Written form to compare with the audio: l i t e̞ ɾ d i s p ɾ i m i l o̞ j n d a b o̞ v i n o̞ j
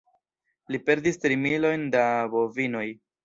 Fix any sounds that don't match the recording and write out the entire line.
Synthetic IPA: l i p e̞ ɾ d i s t ɾ i m i l o̞ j n d a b o̞ v i n o̞ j